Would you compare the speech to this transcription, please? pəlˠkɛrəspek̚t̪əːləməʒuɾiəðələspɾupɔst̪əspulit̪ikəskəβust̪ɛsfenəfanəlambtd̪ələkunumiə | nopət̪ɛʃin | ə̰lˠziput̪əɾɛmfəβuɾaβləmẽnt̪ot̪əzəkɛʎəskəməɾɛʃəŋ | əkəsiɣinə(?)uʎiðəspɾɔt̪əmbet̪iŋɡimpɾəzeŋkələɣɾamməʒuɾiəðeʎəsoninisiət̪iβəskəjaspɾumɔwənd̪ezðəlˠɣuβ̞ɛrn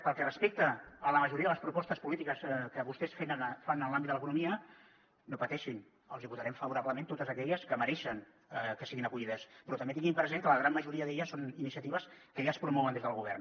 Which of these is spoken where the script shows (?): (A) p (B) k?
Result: B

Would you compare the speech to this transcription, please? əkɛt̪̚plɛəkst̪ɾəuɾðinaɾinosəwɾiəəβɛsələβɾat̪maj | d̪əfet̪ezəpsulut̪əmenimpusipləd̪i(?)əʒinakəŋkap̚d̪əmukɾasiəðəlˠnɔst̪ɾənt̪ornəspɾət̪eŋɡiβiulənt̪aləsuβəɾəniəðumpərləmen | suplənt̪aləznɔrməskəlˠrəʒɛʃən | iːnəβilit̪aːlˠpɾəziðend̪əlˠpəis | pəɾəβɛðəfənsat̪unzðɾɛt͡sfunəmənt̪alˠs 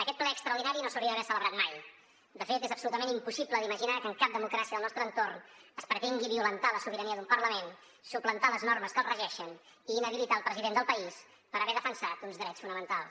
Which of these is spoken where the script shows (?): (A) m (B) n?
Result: A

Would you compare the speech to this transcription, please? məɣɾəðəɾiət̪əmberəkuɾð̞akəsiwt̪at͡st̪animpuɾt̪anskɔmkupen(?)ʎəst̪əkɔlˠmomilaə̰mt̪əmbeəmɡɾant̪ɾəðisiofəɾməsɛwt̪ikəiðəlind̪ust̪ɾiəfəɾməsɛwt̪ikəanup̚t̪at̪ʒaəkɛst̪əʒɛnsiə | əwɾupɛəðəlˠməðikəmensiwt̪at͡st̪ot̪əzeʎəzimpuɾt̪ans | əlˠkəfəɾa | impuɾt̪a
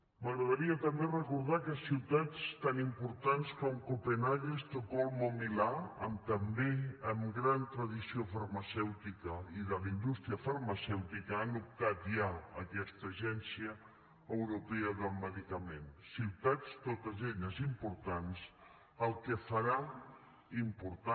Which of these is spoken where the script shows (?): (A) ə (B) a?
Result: B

